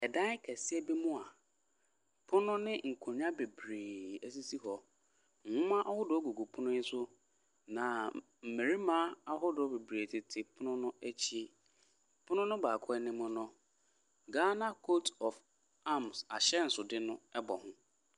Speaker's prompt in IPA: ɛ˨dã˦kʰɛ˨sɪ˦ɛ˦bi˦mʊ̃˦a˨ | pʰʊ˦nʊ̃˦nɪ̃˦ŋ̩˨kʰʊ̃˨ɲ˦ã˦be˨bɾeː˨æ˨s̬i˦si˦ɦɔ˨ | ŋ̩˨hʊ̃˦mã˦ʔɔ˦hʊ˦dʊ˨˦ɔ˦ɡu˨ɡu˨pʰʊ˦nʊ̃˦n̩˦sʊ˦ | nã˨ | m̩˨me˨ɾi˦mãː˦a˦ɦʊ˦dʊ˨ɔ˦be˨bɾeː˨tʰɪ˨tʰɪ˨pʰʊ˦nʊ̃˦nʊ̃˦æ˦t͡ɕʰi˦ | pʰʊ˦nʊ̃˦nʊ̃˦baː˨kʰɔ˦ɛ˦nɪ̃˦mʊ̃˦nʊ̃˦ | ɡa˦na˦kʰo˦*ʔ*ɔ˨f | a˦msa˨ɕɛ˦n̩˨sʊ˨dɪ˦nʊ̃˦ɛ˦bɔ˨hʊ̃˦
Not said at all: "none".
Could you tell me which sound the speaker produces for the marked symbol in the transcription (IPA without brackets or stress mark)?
t